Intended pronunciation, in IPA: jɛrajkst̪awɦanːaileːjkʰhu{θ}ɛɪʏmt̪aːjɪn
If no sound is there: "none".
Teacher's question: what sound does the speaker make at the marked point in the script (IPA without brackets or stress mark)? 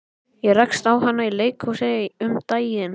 s